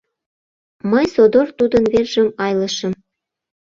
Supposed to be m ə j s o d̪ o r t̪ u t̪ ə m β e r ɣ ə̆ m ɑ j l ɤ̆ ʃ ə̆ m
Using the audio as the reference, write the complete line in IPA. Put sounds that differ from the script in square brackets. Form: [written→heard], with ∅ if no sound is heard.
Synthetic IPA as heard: m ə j s o d̪ o r t̪ u [t̪→d̪] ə [m→n] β e r [ɣ→ʒ] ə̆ m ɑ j l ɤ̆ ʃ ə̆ m